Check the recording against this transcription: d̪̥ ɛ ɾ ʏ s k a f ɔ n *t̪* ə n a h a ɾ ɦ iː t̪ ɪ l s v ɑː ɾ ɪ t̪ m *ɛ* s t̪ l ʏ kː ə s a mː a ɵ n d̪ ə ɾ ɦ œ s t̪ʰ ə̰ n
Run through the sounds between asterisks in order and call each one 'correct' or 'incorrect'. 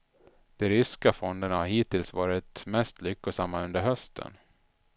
incorrect, correct

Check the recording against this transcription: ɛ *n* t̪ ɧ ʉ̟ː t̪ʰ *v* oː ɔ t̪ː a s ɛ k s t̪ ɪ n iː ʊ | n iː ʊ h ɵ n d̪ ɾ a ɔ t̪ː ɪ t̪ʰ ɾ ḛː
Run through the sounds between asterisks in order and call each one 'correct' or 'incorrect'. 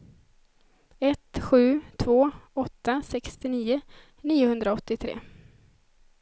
incorrect, correct

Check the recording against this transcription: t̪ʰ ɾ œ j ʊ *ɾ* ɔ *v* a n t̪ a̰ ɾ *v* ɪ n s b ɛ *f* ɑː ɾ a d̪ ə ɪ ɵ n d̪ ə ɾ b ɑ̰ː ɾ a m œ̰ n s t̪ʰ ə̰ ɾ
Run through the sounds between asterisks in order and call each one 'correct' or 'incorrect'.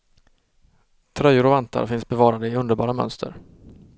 correct, correct, incorrect, incorrect

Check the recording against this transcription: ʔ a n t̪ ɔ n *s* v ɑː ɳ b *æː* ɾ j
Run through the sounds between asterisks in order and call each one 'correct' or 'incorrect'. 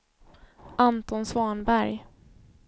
correct, incorrect

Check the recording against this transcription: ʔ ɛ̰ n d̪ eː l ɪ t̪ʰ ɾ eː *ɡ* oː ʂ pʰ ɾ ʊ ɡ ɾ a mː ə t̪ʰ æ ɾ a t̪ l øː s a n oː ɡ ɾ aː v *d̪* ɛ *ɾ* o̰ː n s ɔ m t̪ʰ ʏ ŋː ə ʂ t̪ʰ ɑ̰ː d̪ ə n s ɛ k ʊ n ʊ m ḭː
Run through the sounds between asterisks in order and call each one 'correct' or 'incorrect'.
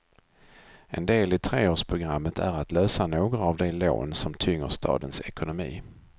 incorrect, correct, incorrect

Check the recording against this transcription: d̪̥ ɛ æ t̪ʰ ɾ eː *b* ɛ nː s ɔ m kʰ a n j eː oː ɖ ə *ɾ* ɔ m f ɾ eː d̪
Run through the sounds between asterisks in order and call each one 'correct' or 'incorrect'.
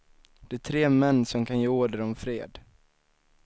incorrect, correct

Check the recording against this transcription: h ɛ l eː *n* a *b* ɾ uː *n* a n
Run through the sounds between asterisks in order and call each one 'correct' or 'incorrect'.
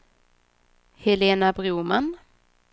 correct, correct, incorrect

